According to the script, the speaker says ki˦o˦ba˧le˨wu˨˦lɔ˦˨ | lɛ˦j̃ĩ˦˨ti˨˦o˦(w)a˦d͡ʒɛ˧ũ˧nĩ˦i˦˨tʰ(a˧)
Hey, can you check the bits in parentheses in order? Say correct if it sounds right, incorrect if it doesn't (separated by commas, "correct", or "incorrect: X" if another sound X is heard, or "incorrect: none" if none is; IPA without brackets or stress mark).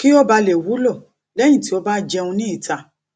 incorrect: b, correct